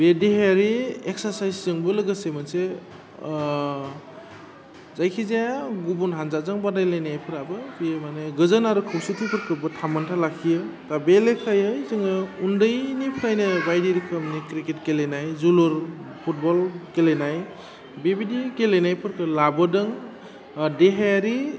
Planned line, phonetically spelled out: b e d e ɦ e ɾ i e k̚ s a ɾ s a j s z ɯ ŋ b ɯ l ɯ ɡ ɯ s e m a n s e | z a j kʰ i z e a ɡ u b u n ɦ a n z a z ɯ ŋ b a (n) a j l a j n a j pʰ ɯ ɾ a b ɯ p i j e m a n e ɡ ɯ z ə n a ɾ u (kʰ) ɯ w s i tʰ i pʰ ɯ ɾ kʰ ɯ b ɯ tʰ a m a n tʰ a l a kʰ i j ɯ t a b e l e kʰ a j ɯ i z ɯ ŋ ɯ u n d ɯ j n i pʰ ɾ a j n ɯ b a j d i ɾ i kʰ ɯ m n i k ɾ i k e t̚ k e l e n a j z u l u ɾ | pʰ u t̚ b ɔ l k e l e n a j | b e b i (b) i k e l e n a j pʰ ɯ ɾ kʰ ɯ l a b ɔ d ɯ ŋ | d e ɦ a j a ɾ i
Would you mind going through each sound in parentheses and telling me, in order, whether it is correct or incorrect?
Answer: incorrect: d, correct, incorrect: d

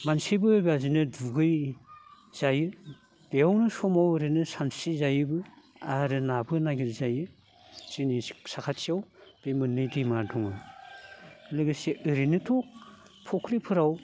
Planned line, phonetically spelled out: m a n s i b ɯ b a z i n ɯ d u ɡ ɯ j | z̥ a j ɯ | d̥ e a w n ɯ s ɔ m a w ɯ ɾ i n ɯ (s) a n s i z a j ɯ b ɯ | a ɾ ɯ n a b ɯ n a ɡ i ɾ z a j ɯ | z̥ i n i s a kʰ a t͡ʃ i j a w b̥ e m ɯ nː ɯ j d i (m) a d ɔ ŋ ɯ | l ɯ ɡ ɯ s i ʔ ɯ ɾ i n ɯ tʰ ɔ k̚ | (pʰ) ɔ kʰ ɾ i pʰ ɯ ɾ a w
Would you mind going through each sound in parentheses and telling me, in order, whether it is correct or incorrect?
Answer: correct, correct, correct

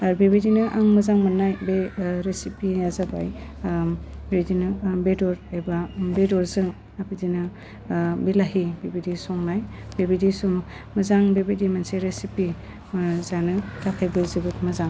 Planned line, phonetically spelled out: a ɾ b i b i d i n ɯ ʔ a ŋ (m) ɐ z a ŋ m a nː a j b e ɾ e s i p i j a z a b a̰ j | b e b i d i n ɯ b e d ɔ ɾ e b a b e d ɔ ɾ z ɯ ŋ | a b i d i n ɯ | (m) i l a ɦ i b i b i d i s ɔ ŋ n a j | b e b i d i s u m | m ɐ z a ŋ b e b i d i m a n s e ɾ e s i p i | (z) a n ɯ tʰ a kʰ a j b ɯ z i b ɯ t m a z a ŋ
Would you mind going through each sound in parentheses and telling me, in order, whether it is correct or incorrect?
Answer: correct, incorrect: b, correct

